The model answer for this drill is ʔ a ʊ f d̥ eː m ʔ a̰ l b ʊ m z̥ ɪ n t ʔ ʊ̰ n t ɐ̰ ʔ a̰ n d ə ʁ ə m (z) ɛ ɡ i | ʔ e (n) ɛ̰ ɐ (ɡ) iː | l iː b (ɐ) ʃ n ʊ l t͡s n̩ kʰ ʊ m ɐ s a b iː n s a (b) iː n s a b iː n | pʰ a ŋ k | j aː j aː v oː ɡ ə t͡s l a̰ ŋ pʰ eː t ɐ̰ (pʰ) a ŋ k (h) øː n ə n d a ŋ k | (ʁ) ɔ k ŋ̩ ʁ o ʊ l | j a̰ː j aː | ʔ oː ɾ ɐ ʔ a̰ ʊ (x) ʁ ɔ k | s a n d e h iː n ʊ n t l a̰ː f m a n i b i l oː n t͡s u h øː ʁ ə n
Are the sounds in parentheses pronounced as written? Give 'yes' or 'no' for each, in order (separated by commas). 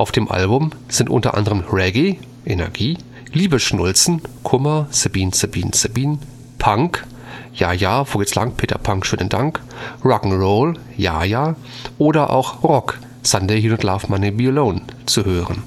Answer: no, yes, yes, no, yes, yes, no, yes, yes